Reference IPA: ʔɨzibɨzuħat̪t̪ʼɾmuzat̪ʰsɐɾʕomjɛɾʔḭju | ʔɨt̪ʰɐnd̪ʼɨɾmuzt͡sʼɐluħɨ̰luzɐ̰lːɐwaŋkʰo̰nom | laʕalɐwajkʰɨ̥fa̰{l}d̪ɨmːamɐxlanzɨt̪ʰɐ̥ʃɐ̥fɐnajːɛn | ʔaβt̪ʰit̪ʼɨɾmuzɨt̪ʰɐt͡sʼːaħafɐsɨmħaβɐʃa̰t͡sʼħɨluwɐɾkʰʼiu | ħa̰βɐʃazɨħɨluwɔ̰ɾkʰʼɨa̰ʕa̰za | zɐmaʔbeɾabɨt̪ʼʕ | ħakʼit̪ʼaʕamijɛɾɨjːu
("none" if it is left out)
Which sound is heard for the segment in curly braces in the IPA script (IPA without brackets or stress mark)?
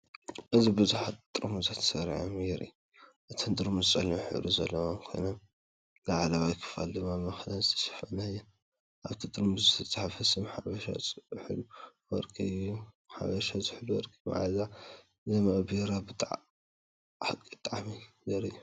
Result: l